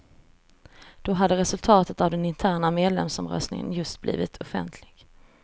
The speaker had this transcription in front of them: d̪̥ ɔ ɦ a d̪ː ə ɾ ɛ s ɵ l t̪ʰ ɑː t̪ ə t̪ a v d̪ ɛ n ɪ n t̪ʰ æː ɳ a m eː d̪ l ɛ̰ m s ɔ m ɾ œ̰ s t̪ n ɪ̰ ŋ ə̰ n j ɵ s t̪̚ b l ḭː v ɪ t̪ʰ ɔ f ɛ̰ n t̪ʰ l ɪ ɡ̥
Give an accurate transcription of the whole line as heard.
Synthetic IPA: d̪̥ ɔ ɦ a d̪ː ə ɾ ɛ s ɵ l t̪ʰ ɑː t̪ ə t̪ a v d̪ ɛ n ɪ n t̪ʰ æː ɳ a m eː d̪ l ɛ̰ m s ɔ m ɾ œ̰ s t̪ n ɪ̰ ŋ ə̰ n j ɵ s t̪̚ b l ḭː v ɪ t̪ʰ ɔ f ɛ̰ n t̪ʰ l ɪ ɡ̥